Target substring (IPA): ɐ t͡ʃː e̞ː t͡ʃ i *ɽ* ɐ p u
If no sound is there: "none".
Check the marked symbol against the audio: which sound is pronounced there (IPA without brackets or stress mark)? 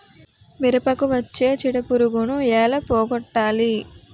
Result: ɽ